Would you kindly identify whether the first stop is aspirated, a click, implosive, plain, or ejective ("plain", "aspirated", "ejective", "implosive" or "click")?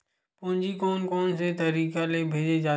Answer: plain